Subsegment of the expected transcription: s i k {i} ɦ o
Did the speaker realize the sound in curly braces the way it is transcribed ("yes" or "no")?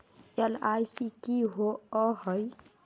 yes